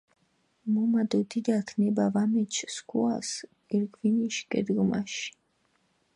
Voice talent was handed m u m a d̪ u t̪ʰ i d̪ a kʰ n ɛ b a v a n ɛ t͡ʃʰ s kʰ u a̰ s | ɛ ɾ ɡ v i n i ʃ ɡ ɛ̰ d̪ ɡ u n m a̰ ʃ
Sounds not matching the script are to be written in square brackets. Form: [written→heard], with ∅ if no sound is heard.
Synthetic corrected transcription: m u m a d̪ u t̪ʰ i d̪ a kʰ n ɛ b a v a [n→m] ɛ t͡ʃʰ s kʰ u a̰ s | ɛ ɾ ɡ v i n i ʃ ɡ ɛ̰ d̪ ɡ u [n→∅] m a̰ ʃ